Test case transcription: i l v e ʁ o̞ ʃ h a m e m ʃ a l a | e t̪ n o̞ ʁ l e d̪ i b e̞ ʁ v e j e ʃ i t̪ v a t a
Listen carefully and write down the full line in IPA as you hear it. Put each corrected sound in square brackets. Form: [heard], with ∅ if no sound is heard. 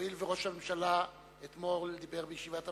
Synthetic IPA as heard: i l v e ʁ o̞ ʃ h a m e m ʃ a l a | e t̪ [m] o̞ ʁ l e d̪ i b e̞ ʁ [b] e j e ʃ i [∅] v a t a